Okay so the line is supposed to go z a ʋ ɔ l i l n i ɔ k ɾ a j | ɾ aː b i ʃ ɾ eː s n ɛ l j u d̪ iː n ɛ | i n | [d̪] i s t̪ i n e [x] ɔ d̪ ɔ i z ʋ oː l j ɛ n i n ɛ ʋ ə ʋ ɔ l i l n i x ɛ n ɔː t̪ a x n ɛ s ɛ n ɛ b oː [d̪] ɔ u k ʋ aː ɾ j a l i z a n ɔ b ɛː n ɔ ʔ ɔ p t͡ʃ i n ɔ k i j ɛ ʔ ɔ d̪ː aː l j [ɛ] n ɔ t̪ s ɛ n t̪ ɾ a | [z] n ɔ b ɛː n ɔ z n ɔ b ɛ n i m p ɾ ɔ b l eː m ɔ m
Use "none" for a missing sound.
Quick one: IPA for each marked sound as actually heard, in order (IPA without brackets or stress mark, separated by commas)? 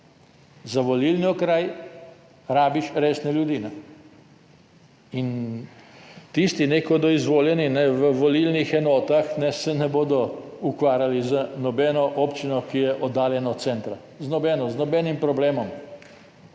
t̪, k, d̪, ɛ, z